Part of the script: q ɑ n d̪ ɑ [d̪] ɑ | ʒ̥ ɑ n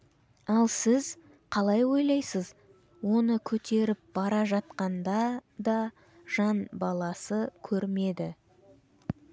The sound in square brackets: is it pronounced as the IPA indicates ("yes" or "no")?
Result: yes